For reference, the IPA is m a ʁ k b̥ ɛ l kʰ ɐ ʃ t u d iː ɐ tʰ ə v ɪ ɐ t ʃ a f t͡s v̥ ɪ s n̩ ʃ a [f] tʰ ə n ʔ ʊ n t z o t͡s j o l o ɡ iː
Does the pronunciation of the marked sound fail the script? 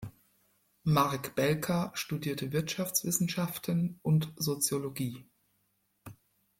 no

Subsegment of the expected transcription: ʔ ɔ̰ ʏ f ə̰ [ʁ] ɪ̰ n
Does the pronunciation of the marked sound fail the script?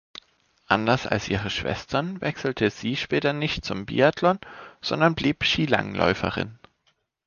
no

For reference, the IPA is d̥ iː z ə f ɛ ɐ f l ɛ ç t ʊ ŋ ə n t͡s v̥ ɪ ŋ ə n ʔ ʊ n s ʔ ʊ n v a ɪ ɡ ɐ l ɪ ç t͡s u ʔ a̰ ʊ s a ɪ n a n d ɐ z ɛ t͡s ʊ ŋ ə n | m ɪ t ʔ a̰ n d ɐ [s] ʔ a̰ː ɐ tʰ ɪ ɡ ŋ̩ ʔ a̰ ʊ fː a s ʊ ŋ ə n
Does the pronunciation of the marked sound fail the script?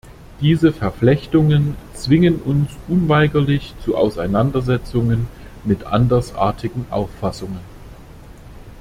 no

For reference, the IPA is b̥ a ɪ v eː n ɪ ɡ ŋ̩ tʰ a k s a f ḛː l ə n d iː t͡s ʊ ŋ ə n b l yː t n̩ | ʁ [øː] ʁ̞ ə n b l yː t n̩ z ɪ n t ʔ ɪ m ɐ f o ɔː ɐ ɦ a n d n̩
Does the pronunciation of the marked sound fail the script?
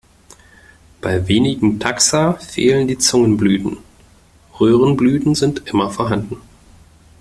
no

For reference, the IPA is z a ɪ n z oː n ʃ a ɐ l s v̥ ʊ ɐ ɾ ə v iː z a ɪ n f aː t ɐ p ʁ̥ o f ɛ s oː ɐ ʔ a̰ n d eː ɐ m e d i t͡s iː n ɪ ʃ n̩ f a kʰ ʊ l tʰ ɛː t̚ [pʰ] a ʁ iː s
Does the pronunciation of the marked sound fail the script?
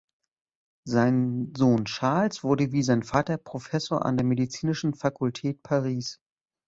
no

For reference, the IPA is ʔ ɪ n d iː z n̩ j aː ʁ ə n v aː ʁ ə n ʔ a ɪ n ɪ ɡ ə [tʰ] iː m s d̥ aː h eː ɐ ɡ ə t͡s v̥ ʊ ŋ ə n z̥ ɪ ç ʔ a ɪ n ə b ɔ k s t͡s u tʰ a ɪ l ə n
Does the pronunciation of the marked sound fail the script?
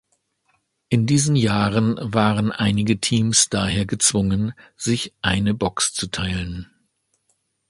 no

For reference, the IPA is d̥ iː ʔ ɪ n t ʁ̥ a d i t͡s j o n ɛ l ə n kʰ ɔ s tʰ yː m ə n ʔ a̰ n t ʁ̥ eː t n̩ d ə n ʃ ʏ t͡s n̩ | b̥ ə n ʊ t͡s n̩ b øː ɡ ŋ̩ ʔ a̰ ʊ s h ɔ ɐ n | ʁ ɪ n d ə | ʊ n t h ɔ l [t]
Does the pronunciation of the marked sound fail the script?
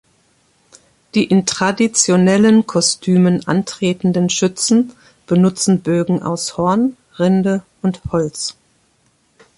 yes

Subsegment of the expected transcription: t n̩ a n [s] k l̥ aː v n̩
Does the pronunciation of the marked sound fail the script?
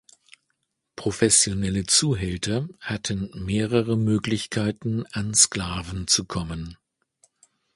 no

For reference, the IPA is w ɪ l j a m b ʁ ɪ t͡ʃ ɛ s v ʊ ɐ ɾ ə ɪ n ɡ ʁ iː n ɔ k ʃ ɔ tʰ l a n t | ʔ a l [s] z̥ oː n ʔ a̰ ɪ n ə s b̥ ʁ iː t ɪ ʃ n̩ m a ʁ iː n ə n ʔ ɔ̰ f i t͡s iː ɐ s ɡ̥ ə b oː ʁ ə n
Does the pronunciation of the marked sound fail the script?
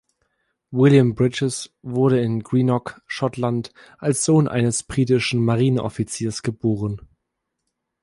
no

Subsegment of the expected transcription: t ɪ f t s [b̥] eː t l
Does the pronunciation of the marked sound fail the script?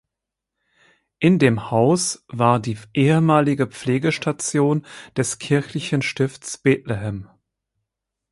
no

